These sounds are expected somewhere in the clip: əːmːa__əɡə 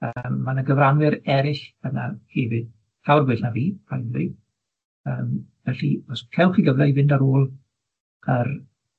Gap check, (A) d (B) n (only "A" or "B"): B